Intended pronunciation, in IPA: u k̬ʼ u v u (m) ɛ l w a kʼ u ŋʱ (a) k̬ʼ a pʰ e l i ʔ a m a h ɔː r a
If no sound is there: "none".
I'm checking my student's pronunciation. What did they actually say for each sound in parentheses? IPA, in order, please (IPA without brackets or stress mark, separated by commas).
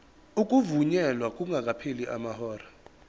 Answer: ɲ, a